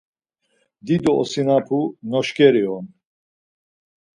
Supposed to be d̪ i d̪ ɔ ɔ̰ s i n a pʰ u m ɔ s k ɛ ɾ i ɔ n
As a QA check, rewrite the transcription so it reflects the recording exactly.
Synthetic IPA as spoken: d̪ i d̪ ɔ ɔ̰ s i n a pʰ u n ɔ ʃ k ɛ ɾ i ɔ n